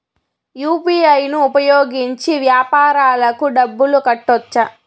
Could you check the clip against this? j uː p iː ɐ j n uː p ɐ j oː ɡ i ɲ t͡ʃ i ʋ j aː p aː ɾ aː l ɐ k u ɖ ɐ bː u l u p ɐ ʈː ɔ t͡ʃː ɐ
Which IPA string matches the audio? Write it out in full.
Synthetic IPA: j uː p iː ɐ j n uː p ɐ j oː ɡ i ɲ t͡ʃ i ʋ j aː p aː ɾ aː l ɐ k u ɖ ɐ bː u l u k ɐ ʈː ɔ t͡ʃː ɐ